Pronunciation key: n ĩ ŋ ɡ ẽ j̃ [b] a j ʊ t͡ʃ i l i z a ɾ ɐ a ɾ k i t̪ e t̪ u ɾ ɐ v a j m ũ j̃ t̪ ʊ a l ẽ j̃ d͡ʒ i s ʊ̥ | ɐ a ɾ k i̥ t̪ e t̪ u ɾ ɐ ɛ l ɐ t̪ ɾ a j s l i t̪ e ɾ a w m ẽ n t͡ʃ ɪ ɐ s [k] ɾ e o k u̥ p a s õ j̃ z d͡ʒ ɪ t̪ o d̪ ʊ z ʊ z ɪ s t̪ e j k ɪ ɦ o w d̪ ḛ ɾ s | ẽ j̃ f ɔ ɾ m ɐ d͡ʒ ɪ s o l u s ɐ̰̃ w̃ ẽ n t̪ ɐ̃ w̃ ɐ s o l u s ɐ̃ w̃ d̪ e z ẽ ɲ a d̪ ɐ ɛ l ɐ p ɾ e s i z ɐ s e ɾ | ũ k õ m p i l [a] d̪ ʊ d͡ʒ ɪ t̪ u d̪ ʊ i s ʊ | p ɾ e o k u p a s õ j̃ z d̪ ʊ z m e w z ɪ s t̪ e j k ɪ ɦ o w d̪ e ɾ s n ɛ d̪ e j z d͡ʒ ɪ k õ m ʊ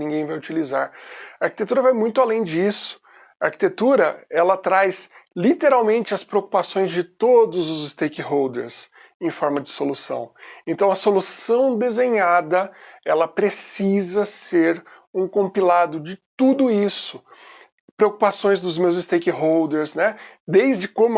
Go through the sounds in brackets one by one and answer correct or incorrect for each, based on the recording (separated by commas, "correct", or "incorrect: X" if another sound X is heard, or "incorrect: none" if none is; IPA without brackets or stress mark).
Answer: incorrect: v, incorrect: p, correct